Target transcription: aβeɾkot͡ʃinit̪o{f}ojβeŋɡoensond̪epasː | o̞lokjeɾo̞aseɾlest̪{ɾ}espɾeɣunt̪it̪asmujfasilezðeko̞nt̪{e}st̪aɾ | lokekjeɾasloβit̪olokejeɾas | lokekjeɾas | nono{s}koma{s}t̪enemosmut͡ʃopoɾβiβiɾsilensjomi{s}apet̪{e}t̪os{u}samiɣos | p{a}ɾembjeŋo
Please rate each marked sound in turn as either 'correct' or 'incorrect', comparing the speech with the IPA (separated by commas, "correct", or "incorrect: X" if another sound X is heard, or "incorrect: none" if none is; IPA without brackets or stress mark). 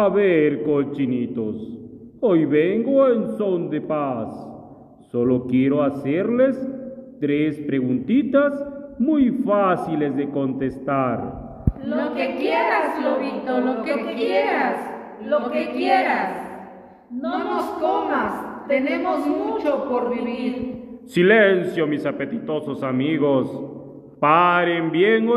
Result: incorrect: s, correct, correct, correct, correct, correct, incorrect: i, incorrect: o, correct